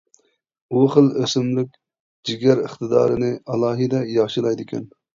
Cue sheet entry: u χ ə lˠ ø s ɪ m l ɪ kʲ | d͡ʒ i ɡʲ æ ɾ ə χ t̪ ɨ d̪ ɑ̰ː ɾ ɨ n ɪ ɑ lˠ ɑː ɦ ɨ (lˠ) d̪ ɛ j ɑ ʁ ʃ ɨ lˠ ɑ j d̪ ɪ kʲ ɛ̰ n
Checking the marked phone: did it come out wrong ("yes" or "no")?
yes